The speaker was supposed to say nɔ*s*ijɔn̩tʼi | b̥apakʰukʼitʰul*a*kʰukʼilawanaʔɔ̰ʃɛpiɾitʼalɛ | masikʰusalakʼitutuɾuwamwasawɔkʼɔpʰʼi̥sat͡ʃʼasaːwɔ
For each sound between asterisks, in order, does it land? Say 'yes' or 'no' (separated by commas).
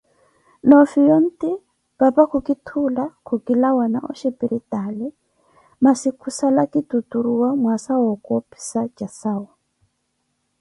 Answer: no, yes